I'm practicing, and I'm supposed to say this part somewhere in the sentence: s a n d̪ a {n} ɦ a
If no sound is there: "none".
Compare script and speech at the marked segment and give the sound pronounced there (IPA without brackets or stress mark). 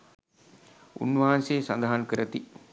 none